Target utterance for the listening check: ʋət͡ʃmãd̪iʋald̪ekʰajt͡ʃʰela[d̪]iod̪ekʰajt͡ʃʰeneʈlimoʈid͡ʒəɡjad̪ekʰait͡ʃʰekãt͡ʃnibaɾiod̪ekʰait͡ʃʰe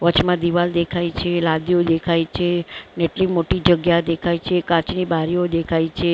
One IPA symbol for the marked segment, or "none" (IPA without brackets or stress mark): d̪